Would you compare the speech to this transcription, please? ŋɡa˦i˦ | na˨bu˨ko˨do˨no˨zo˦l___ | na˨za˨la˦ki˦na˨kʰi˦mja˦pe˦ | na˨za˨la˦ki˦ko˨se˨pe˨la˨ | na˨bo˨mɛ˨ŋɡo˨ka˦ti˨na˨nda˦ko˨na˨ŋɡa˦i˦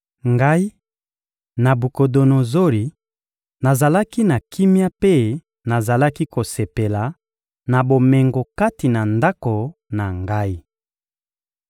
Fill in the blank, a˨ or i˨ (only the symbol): i˨